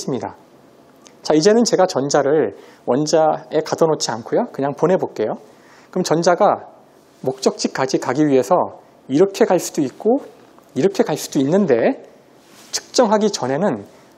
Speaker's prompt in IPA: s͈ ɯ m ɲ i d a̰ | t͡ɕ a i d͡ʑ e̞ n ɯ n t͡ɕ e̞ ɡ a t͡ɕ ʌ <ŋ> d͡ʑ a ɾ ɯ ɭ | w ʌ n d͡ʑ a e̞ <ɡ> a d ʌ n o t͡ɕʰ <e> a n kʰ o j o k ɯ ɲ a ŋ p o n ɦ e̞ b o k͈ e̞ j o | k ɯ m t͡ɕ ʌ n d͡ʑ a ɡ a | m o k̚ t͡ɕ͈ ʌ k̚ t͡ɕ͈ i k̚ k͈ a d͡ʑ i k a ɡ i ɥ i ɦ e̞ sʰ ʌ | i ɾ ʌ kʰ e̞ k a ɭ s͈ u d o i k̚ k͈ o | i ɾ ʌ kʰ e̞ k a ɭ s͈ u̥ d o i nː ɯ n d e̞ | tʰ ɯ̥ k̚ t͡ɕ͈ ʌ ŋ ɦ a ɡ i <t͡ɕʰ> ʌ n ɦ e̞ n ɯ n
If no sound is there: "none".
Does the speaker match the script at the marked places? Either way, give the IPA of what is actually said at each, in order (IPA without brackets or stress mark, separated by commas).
n, k, i, t͡ɕ